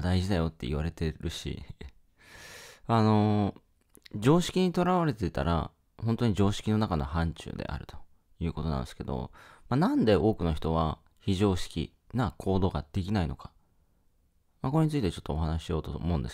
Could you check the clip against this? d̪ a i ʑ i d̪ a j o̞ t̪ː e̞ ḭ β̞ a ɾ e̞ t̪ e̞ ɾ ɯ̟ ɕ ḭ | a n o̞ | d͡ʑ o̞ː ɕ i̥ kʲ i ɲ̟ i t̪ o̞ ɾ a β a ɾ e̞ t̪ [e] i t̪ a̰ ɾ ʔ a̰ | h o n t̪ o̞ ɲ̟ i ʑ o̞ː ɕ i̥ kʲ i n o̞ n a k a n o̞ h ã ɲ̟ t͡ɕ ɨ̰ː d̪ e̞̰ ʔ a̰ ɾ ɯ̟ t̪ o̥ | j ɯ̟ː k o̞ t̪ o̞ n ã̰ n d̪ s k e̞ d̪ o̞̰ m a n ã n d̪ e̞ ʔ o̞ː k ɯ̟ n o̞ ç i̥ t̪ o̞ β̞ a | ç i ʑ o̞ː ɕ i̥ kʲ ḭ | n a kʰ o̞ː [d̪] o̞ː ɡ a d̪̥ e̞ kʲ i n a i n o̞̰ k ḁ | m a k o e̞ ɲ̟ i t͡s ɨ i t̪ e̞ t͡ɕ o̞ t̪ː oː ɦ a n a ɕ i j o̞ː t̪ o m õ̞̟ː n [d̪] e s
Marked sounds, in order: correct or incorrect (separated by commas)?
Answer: correct, correct, correct